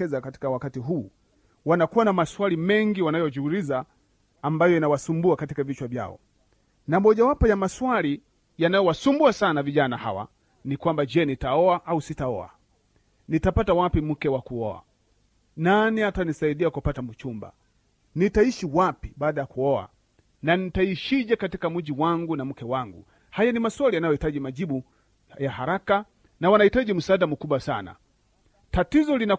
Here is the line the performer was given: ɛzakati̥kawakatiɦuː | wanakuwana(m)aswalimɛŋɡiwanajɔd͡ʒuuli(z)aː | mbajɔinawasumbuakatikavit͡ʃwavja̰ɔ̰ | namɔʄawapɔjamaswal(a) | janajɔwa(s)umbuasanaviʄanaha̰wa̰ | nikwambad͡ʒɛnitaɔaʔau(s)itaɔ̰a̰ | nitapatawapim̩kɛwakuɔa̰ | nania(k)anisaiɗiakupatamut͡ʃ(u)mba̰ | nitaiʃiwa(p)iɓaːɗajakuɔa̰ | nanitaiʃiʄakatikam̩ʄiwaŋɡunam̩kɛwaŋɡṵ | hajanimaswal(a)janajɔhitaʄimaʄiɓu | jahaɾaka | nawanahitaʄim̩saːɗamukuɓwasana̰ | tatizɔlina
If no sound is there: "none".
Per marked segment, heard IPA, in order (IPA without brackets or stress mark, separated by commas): m, z, i, s, s, t, u, p, i